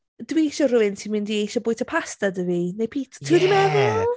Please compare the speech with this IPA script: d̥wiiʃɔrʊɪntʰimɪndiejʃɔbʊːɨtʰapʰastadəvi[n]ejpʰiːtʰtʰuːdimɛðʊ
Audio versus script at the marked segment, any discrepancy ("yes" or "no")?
no